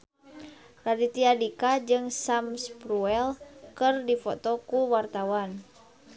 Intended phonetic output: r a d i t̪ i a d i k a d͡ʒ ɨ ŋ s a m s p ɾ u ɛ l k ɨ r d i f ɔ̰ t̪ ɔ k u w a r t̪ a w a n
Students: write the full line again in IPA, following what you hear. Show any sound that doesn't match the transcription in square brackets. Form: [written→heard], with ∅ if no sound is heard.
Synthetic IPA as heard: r a d i t̪ i a d i k a d͡ʒ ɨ ŋ s a m s p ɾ u ɛ l k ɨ r d i f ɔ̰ t̪ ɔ k u w a r t̪ a w a n

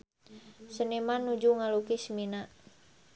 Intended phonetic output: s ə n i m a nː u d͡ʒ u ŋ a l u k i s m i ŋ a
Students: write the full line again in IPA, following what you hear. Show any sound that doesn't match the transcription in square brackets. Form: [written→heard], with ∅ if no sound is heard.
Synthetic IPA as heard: s ə n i m a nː u d͡ʒ u ŋ a l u k i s m i [ŋ→n] a

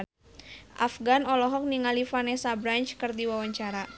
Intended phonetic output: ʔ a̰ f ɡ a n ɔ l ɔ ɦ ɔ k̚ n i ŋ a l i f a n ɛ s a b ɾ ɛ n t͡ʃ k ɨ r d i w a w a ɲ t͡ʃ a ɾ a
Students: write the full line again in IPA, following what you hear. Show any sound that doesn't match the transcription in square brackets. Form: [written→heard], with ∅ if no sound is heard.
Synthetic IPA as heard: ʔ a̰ f ɡ a n ɔ l ɔ ɦ ɔ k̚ n i ŋ a l i f a n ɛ s a b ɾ [ɛ→a] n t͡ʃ k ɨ r d i w a w a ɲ t͡ʃ a ɾ a

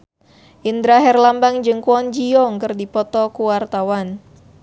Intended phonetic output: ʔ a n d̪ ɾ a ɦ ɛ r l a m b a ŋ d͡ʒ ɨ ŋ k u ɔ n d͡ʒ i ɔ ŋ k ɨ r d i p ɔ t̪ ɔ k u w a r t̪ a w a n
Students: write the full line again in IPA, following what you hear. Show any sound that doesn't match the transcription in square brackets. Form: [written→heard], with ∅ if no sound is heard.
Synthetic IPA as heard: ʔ [a→i] n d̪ ɾ a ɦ ɛ r l a m b a ŋ d͡ʒ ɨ ŋ k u ɔ n d͡ʒ i ɔ ŋ k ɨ r d i p ɔ t̪ ɔ k u w a r t̪ a w a n

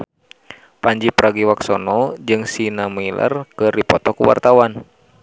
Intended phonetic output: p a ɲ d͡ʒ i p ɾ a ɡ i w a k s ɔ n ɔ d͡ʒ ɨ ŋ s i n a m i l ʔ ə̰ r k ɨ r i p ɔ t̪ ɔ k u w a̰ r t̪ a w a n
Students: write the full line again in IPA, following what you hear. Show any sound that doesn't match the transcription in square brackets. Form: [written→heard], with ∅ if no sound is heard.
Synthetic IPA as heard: p a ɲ d͡ʒ i p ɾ a ɡ i w a k s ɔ n ɔ d͡ʒ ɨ ŋ s i n a m i l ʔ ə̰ r k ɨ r i p ɔ t̪ ɔ k u w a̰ r t̪ a w a n

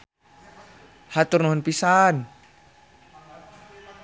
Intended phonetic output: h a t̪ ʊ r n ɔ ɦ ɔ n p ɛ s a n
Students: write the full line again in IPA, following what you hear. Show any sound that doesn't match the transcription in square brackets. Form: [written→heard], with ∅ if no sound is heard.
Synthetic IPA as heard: h a t̪ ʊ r n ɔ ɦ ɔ n p [ɛ→i] s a n

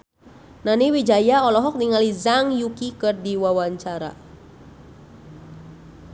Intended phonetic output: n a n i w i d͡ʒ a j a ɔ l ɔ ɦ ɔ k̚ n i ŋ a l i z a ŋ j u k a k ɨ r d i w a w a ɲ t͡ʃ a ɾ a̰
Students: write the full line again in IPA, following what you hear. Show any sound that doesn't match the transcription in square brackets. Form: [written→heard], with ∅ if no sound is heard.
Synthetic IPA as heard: n a n i w i d͡ʒ a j a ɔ l ɔ ɦ ɔ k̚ n i ŋ a l i z a ŋ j u k [a→i] k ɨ r d i w a w a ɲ t͡ʃ a ɾ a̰

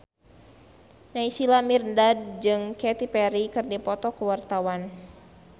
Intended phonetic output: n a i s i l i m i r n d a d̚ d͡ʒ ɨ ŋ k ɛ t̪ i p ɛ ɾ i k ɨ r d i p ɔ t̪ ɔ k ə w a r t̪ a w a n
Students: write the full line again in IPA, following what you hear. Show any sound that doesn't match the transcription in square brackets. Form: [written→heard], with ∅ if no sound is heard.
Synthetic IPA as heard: n a i s i l [i→a] m i r n d a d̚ d͡ʒ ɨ ŋ k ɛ t̪ i p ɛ ɾ i k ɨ r d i p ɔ t̪ ɔ k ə w a r t̪ a w a n

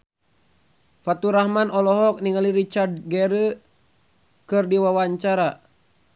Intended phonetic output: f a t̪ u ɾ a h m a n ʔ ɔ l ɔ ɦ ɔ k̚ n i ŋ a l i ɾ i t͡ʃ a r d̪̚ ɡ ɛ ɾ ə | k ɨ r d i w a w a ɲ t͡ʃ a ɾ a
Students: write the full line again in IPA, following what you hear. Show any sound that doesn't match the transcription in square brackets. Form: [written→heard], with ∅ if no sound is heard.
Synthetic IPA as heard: f a t̪ u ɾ a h m a n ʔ ɔ l ɔ ɦ ɔ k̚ n i ŋ a l i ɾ i t͡ʃ a r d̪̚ ɡ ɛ ɾ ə | k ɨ r d i w a w a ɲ t͡ʃ a ɾ a

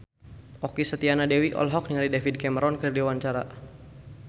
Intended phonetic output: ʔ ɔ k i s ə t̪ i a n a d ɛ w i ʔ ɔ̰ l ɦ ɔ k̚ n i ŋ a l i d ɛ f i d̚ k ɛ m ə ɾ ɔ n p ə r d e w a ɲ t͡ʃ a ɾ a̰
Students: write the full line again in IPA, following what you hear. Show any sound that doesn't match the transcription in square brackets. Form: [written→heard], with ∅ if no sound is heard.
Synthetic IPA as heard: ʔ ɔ k i s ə t̪ i a n a d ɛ w i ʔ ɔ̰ l ɦ ɔ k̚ n i ŋ a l i d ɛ f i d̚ k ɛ m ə ɾ ɔ n [p→k] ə r d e w a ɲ t͡ʃ a ɾ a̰

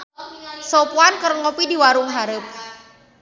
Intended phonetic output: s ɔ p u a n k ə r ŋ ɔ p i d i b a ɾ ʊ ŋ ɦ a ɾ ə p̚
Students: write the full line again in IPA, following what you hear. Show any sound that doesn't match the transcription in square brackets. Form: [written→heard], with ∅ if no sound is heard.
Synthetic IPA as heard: s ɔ p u a n k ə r ŋ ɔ p i d i [b→w] a ɾ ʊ ŋ ɦ a ɾ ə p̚

